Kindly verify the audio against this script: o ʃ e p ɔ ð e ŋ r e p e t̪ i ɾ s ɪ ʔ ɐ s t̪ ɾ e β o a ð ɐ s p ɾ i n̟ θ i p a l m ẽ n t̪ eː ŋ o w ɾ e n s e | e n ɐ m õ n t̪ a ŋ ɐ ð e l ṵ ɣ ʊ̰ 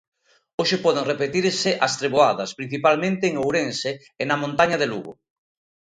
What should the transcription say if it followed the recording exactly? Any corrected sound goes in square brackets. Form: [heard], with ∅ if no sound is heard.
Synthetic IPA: o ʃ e p ɔ ð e ŋ r e p e t̪ i ɾ s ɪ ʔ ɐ s t̪ ɾ e β o a ð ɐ s p ɾ i n̟ θ i p a l m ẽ n t̪ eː ŋ o w ɾ e n s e | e n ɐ m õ n t̪ a [ɲ] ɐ ð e l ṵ ɣ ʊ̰